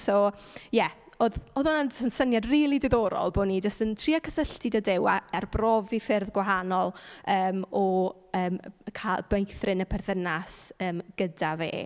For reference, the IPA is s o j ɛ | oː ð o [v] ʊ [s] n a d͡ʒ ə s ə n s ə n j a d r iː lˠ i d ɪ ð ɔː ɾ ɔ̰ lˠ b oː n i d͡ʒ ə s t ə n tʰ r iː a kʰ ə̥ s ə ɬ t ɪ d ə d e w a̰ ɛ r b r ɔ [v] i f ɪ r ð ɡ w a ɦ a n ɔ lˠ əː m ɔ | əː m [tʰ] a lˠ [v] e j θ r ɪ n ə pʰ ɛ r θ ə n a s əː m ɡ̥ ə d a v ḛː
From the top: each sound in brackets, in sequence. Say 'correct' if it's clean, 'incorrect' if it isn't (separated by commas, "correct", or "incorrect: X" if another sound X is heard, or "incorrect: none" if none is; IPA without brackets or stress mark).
incorrect: ð, incorrect: none, correct, incorrect: kʰ, incorrect: b